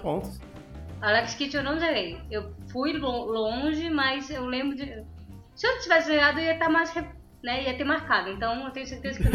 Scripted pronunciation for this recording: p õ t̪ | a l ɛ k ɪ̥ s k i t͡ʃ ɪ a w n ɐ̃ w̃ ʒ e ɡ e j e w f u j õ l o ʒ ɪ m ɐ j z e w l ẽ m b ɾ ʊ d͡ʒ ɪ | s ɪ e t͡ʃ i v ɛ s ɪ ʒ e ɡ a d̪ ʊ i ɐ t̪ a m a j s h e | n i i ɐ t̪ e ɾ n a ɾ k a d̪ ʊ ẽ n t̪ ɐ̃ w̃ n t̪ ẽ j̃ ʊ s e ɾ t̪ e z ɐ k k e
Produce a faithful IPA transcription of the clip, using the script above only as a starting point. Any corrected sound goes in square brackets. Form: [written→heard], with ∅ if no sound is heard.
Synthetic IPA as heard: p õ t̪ | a l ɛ k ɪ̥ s k i t͡ʃ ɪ [a→e] w n ɐ̃ w̃ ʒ e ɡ e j e w f u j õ l [o→õ] ʒ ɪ m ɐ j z e w l ẽ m b ɾ ʊ d͡ʒ ɪ | s ɪ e t͡ʃ i v ɛ s ɪ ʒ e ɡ a d̪ ʊ i ɐ t̪ a m a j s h e | n [i→ɛ] i ɐ t̪ e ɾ [n→m] a ɾ k a d̪ ʊ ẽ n t̪ ɐ̃ w̃ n t̪ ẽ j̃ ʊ s e ɾ t̪ e z ɐ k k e